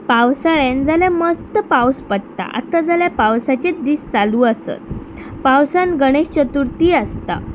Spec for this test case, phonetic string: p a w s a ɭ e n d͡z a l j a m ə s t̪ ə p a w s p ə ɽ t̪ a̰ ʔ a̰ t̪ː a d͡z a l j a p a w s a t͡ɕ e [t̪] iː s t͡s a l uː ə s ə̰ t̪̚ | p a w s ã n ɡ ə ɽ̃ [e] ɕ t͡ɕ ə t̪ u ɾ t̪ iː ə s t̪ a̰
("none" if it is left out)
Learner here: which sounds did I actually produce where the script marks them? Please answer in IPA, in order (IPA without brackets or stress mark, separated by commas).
d̪, e